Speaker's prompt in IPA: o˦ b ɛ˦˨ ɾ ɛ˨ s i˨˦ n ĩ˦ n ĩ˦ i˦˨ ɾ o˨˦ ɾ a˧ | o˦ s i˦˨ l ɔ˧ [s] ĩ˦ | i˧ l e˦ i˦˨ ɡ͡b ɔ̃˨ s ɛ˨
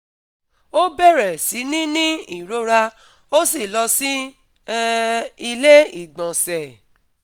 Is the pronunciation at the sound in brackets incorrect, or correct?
correct